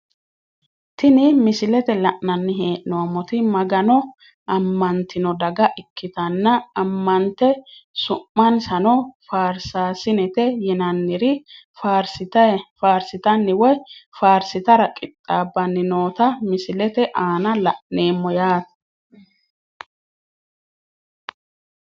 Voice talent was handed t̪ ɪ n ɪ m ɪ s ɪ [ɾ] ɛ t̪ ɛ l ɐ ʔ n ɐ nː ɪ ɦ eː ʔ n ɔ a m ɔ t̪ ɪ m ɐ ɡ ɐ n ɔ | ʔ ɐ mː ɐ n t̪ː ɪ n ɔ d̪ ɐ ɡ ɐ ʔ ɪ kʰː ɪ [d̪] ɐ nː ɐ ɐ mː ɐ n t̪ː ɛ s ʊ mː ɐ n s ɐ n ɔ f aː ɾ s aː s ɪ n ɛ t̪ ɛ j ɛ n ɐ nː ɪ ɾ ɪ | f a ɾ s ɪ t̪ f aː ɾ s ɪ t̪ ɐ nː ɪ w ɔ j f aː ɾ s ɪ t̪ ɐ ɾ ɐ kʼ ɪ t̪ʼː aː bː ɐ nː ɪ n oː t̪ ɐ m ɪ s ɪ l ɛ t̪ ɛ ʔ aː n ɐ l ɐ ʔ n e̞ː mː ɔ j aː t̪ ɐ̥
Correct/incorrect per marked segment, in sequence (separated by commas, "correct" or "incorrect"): incorrect, incorrect